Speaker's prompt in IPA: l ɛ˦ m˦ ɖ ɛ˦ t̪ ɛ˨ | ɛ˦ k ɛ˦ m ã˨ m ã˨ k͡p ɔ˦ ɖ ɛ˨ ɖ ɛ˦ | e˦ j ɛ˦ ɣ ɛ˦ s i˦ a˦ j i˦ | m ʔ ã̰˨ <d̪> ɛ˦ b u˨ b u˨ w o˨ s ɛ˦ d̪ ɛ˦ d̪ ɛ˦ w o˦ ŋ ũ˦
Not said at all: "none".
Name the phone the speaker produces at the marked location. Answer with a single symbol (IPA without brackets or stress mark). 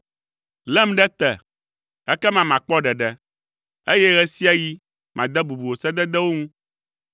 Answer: d̪